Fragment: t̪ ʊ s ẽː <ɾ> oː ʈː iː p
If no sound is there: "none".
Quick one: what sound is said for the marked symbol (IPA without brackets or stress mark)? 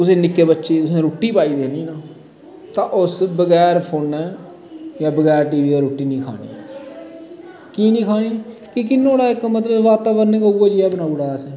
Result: ɾ